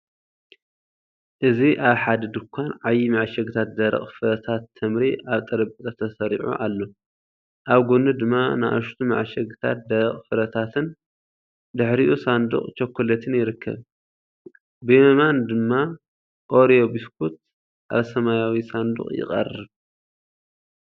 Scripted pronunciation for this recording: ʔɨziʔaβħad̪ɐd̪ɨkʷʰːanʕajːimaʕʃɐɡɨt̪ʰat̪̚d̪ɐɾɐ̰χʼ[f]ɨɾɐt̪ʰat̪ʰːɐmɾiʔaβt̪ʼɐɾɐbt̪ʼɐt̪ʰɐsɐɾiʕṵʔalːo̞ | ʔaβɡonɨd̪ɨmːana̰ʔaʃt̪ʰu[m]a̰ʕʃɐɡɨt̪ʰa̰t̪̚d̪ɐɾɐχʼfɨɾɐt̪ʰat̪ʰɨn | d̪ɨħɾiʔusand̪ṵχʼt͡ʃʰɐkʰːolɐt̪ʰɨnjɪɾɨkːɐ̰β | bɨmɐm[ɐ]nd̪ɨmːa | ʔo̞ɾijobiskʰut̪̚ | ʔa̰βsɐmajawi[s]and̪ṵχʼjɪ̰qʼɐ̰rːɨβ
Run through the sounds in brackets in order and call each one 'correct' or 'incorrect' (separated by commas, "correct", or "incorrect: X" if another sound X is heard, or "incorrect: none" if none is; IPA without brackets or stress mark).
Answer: correct, correct, incorrect: a, correct